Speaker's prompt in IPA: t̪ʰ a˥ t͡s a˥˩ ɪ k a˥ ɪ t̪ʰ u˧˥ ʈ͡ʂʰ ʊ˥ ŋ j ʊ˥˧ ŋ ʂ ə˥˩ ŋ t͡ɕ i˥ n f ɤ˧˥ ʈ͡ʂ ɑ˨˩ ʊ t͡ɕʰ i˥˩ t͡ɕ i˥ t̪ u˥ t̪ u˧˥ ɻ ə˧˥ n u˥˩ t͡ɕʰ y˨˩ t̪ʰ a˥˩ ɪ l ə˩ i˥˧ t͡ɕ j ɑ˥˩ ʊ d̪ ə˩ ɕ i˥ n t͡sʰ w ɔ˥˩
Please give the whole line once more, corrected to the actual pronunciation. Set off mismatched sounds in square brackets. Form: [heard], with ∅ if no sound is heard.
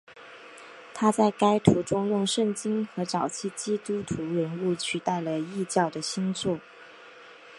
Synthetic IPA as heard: t̪ʰ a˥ t͡s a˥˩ ɪ k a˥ ɪ t̪ʰ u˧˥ [ʈ͡ʂ] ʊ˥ ŋ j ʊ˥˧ ŋ ʂ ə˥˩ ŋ t͡ɕ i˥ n [x] ɤ˧˥ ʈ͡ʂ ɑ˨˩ ʊ t͡ɕʰ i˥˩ t͡ɕ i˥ t̪ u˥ [t̪ʰ] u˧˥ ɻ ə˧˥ n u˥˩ t͡ɕʰ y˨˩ [t̪] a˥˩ ɪ l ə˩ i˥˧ t͡ɕ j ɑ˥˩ ʊ d̪ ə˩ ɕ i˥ n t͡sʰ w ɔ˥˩

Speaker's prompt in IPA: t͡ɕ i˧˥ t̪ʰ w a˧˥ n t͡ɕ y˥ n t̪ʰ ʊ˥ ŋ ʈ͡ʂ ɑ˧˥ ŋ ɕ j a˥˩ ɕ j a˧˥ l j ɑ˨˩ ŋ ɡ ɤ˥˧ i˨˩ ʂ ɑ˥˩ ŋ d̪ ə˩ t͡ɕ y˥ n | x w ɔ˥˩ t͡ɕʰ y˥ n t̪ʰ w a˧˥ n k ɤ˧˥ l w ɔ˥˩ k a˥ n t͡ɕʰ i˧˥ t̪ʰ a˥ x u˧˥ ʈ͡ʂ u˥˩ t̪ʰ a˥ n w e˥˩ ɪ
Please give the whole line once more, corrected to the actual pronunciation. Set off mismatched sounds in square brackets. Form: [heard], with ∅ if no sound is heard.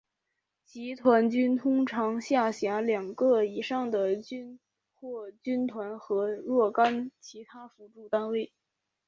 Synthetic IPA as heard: t͡ɕ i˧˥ t̪ʰ w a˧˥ n t͡ɕ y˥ n t̪ʰ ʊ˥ ŋ [ʈ͡ʂʰ] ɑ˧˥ ŋ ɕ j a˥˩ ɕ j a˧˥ l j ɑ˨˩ ŋ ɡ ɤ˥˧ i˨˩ ʂ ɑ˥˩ ŋ d̪ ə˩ t͡ɕ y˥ n | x w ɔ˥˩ [t͡ɕ] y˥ n t̪ʰ w a˧˥ n [x] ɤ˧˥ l w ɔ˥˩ k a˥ n t͡ɕʰ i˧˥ t̪ʰ a˥ [f] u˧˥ ʈ͡ʂ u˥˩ [t̪] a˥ n w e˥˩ ɪ

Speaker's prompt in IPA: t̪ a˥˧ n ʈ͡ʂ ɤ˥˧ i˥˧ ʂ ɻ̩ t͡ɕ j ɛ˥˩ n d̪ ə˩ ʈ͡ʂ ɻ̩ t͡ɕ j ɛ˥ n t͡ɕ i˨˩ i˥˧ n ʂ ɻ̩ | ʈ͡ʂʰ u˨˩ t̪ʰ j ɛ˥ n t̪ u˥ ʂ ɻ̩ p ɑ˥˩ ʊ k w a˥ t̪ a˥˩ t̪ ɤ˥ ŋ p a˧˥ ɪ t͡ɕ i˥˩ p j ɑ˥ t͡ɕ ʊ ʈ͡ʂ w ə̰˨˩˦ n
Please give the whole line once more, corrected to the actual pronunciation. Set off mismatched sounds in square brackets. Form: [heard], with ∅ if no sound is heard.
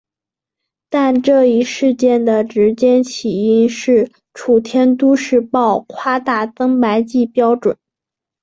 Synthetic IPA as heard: t̪ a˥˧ n ʈ͡ʂ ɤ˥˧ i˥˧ ʂ ɻ̩ t͡ɕ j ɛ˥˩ n d̪ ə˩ ʈ͡ʂ ɻ̩ t͡ɕ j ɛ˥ n [t͡ɕʰ] i˨˩ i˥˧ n ʂ ɻ̩ | ʈ͡ʂʰ u˨˩ t̪ʰ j ɛ˥ n t̪ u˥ ʂ ɻ̩ p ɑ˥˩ ʊ [kʰ] w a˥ t̪ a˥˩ t̪ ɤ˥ ŋ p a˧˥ ɪ t͡ɕ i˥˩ p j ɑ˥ [∅] ʊ ʈ͡ʂ w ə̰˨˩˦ n

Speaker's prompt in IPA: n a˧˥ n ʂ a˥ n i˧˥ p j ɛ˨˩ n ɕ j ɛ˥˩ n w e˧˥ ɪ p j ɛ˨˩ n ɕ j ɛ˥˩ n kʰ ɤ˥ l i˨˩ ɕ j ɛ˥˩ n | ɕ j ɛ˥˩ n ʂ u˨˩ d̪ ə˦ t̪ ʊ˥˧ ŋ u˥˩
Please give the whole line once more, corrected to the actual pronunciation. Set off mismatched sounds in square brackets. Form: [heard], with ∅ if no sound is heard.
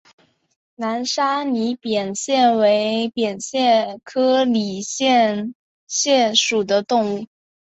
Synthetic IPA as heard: n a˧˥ n ʂ a˥ n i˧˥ p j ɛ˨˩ n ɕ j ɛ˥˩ n w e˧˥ ɪ p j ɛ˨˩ n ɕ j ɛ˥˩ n kʰ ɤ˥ l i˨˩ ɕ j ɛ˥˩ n | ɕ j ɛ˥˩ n ʂ u˨˩ d̪ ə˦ t̪ ʊ˥˧ ŋ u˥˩

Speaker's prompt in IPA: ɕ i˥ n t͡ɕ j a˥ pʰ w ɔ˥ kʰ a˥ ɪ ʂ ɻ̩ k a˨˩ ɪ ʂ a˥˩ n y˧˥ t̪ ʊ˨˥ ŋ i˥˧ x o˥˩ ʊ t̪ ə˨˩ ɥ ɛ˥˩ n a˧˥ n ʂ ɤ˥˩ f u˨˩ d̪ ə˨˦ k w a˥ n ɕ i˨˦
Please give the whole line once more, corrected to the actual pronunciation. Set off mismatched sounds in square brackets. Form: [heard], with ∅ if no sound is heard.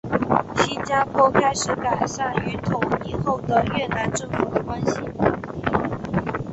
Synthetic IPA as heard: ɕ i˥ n t͡ɕ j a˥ pʰ w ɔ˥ kʰ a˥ ɪ ʂ ɻ̩ k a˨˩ ɪ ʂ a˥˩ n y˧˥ [t̪ʰ] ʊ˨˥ ŋ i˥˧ x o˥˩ ʊ [d̪] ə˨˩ ɥ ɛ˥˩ n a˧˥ n [ʈ͡ʂ] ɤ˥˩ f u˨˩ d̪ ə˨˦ k w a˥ n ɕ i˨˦

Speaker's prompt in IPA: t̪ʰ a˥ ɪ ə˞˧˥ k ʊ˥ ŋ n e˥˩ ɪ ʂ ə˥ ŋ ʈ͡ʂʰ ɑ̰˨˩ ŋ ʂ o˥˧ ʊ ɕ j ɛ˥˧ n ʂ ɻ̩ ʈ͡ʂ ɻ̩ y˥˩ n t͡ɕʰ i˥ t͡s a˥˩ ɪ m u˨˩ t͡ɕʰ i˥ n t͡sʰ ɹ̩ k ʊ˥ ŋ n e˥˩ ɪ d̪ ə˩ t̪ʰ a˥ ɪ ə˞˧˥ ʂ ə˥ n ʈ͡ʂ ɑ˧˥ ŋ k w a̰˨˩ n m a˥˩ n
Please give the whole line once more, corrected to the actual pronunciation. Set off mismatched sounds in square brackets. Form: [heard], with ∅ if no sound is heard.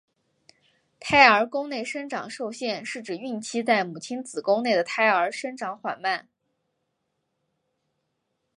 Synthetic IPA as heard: t̪ʰ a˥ ɪ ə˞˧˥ k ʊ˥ ŋ n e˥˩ ɪ ʂ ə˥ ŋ [ʈ͡ʂ] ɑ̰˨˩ ŋ ʂ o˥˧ ʊ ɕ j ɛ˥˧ n ʂ ɻ̩ ʈ͡ʂ ɻ̩ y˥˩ n t͡ɕʰ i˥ t͡s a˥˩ ɪ m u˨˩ t͡ɕʰ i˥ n [t͡s] ɹ̩ k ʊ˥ ŋ n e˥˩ ɪ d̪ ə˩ t̪ʰ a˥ ɪ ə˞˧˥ ʂ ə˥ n ʈ͡ʂ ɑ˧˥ ŋ [x] w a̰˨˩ n m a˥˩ n

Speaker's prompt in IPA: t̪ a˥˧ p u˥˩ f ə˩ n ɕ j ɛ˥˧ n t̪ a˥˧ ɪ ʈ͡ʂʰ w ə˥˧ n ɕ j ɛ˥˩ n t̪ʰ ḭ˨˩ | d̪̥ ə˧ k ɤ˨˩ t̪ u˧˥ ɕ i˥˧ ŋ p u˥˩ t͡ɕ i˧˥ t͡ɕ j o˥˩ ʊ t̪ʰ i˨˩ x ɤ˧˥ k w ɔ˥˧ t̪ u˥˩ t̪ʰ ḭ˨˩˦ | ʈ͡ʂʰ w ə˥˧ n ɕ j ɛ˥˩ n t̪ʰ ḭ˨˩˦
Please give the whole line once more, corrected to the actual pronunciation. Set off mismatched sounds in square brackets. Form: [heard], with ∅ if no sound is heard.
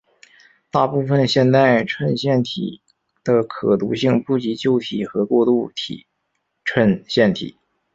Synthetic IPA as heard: t̪ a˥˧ p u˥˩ f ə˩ n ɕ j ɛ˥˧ n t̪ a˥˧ ɪ ʈ͡ʂʰ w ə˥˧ n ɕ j ɛ˥˩ n t̪ʰ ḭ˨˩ | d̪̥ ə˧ [kʰ] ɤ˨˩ t̪ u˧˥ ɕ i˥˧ ŋ p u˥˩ t͡ɕ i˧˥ t͡ɕ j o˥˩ ʊ t̪ʰ i˨˩ x ɤ˧˥ k w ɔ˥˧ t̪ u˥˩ t̪ʰ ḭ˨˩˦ | ʈ͡ʂʰ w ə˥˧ n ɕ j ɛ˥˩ n t̪ʰ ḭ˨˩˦

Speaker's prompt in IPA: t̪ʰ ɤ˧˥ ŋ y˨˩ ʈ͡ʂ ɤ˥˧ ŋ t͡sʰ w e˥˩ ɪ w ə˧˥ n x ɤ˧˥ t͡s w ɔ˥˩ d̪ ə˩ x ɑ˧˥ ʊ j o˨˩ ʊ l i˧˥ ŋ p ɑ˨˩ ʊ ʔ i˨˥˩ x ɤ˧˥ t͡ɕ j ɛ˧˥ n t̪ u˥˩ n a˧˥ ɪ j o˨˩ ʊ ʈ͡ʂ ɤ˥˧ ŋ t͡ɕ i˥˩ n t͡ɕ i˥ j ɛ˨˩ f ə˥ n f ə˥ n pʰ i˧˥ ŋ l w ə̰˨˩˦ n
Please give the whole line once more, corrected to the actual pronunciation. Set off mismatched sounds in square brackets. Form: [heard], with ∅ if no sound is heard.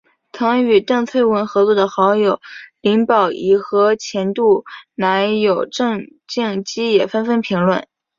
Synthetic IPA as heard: t̪ʰ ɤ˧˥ ŋ y˨˩ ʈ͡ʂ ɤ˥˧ ŋ t͡sʰ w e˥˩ ɪ w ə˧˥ n x ɤ˧˥ t͡s w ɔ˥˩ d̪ ə˩ x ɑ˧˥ ʊ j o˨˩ ʊ l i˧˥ ŋ p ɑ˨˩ ʊ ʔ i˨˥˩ x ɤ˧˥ [t͡ɕʰ] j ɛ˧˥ n t̪ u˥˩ n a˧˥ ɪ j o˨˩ ʊ ʈ͡ʂ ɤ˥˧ ŋ t͡ɕ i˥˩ [ŋ] t͡ɕ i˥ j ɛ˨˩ f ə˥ n f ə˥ n pʰ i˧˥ ŋ l w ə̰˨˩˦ n

